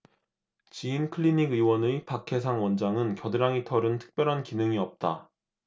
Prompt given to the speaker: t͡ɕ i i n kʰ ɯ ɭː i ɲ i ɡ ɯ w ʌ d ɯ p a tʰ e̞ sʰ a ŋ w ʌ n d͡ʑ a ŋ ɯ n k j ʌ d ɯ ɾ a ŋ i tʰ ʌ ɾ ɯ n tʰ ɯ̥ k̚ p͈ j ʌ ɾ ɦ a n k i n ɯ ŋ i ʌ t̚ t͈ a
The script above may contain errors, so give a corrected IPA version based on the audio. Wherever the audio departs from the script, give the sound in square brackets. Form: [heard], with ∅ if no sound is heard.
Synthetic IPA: t͡ɕ i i n kʰ ɯ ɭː i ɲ i ɡ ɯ w ʌ [n] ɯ p a [kʰ] e̞ sʰ a ŋ w ʌ n d͡ʑ a ŋ ɯ n k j ʌ d ɯ ɾ a ŋ i tʰ ʌ ɾ ɯ n tʰ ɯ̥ k̚ p͈ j ʌ ɾ ɦ a n k i n ɯ ŋ i ʌ [p̚] t͈ a